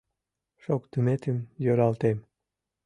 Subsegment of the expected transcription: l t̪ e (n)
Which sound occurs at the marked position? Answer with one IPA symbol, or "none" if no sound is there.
m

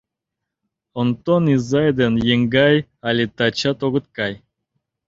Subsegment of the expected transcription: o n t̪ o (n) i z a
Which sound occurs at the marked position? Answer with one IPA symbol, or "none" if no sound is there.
n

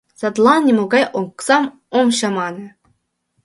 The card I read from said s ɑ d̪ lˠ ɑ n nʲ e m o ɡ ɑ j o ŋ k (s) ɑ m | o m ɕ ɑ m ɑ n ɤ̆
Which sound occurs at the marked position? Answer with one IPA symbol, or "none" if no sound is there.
s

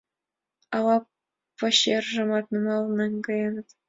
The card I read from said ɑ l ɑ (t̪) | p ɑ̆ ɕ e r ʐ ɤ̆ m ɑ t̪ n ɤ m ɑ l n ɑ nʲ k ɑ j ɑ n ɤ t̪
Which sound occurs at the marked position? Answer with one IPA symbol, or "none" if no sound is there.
none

